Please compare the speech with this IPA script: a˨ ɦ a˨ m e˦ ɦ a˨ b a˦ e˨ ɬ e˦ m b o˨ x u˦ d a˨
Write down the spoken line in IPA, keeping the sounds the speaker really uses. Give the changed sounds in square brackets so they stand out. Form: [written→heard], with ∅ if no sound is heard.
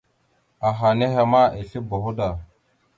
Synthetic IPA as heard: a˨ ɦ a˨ [m→n] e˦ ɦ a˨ [b→m] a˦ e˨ ɬ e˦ [m→∅] b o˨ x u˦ d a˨